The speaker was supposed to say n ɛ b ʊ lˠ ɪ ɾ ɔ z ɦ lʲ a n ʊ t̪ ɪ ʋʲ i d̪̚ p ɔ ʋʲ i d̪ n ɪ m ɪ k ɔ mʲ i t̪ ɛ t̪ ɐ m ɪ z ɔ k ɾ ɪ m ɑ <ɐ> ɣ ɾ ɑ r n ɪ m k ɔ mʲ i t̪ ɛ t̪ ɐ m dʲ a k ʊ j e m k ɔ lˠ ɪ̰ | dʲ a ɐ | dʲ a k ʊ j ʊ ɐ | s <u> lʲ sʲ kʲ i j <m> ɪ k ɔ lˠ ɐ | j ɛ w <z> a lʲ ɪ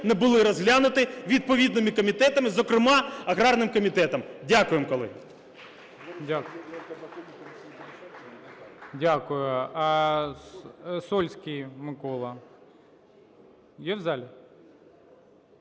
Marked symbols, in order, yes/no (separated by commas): yes, no, yes, yes